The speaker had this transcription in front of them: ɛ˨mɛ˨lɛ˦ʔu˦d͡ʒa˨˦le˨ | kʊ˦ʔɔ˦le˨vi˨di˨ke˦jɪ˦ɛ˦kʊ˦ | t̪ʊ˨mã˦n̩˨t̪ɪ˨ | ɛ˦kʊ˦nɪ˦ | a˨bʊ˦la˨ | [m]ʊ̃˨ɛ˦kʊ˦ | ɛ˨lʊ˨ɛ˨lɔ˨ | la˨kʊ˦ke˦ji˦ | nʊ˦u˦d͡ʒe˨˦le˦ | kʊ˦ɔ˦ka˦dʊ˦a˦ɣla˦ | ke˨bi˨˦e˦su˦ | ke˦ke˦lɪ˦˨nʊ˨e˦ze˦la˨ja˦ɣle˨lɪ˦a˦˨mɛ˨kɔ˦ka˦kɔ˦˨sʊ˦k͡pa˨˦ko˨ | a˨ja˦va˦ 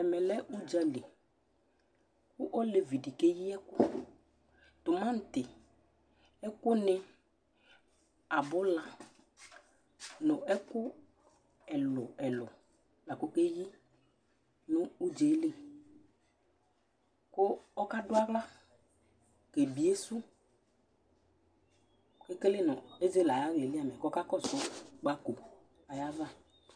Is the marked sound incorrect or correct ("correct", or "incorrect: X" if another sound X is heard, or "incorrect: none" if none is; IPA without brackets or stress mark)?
incorrect: n